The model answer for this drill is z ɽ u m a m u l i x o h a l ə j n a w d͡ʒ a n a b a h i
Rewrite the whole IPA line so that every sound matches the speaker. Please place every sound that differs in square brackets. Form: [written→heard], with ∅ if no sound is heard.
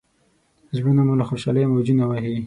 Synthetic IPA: z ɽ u [m→n] a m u l [i→a] x o [h→ʃ] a l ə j [n→m] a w d͡ʒ [a→i] n a [b→w] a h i